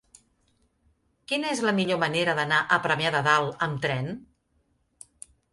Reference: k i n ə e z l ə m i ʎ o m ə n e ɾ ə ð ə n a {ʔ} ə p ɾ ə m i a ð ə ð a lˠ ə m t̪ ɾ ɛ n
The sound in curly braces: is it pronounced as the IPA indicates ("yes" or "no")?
yes